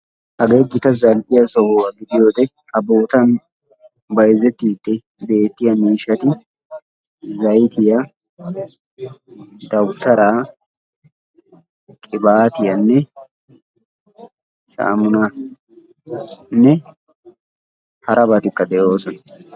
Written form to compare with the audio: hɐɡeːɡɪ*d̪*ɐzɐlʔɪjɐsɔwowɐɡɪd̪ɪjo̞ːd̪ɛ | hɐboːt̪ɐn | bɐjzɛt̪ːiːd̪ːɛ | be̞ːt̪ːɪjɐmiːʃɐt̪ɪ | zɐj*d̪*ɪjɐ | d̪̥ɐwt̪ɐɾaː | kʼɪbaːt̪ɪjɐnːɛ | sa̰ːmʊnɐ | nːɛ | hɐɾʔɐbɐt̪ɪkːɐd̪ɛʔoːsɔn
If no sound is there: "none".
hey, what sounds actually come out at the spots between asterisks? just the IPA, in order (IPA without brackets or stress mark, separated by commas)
t̪, t̪